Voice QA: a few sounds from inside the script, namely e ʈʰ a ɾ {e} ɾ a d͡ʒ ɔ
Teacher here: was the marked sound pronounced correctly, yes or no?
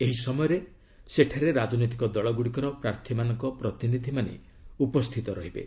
yes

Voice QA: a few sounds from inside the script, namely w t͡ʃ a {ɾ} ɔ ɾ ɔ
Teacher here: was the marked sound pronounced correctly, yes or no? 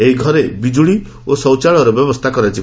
no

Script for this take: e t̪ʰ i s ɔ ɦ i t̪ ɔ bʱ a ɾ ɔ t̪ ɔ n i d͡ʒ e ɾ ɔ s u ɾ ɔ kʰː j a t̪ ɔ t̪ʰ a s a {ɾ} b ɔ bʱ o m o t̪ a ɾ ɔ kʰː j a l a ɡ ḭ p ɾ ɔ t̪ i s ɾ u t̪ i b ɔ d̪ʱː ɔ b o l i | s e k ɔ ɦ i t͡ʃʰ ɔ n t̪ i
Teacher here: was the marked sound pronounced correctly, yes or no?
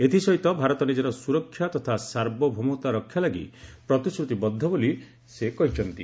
yes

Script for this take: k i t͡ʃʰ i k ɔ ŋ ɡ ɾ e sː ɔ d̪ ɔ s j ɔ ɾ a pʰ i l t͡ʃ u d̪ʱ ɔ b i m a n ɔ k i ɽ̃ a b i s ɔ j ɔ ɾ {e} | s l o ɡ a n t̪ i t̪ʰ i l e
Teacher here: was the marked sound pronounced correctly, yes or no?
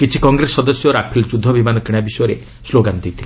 yes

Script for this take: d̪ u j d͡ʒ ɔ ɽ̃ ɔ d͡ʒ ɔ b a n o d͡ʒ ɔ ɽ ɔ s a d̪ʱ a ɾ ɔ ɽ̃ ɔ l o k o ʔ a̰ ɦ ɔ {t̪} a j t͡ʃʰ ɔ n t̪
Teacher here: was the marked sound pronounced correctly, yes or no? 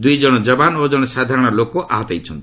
yes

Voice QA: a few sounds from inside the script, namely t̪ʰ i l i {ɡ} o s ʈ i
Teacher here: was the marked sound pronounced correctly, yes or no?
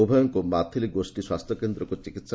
yes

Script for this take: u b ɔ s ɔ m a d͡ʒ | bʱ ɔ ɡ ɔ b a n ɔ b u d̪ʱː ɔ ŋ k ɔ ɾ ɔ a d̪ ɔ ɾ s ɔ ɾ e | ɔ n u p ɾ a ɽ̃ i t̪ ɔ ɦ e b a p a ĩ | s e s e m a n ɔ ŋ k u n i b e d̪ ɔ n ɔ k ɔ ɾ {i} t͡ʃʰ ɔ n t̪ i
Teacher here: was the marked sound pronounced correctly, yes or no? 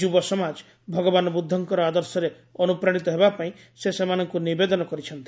yes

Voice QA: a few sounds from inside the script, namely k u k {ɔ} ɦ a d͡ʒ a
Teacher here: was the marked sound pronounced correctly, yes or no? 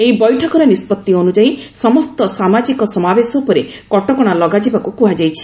no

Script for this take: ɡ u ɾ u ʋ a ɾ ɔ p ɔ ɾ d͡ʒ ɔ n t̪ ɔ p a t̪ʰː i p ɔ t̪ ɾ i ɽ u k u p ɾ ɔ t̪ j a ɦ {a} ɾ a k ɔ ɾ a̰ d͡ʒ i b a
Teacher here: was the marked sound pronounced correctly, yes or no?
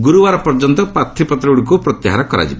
yes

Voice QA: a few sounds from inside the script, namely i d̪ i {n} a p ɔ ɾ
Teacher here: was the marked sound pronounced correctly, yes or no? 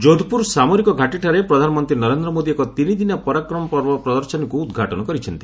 yes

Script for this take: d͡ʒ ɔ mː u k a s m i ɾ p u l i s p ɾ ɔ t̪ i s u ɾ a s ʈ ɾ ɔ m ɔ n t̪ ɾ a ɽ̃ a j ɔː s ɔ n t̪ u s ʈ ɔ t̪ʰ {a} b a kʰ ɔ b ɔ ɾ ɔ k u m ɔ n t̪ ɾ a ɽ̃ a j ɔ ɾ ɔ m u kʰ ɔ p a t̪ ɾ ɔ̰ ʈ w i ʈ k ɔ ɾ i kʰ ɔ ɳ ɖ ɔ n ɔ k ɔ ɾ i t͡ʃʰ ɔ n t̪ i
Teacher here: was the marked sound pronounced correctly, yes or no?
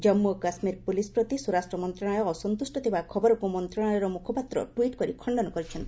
no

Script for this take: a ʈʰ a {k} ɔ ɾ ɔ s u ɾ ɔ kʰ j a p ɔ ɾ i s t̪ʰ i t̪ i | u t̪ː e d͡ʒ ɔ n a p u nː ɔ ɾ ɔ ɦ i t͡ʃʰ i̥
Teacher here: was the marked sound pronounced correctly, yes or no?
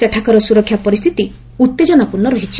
yes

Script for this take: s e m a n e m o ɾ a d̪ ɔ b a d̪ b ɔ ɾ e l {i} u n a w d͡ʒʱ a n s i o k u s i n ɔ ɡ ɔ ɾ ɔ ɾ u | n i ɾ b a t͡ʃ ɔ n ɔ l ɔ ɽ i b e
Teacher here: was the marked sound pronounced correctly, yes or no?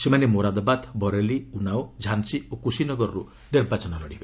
yes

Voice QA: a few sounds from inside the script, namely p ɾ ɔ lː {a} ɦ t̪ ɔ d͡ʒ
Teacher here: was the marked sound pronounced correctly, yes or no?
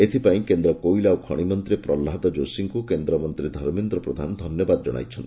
yes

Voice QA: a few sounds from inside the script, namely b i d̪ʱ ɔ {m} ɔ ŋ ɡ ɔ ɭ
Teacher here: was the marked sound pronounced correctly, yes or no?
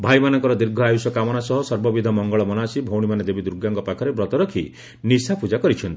yes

